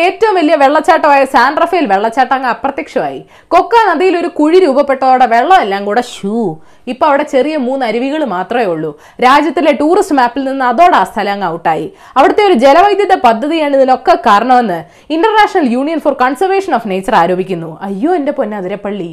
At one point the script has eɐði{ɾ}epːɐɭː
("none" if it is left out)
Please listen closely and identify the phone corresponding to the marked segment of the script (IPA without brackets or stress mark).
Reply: ɾ